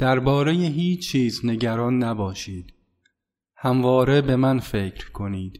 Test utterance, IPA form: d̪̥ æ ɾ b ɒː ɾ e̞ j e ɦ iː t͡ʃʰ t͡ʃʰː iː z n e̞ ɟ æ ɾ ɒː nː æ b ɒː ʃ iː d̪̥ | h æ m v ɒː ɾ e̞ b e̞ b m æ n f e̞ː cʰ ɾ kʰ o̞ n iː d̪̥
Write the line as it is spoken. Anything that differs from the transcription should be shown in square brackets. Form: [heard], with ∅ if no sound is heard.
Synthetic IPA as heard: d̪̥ æ ɾ b ɒː ɾ e̞ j e ɦ iː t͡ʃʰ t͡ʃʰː iː z n e̞ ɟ æ ɾ ɒː nː æ b ɒː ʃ iː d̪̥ | h æ m v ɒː ɾ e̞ b e̞ [∅] m æ n f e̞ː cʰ ɾ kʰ o̞ n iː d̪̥